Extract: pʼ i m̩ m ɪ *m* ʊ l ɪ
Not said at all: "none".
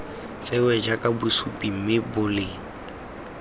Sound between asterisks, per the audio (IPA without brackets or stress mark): b